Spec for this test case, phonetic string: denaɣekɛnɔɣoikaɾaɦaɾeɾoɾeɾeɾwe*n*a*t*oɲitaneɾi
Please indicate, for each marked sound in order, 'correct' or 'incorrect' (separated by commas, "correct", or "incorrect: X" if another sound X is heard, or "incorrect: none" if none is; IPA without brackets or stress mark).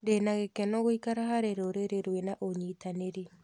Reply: correct, incorrect: ʔ